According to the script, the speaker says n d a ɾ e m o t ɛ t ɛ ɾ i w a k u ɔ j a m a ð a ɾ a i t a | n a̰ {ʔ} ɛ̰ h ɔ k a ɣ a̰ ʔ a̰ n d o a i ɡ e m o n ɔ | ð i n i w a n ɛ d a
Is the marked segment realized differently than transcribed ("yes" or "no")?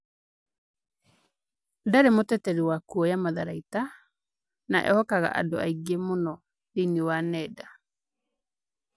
no